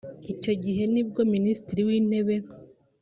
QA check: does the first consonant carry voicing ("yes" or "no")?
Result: no